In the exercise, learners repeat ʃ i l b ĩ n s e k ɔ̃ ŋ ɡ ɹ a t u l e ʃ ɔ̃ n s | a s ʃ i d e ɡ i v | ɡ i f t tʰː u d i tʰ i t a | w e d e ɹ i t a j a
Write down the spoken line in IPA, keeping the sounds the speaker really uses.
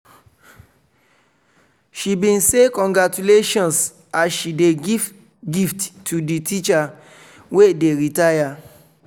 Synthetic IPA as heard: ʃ i b ĩ n s e k ɔ̃ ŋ ɡ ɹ a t u l e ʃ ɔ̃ n s | a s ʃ i d e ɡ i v | ɡ i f t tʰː u d i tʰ i t͡ʃ a | w e d e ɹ i t a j a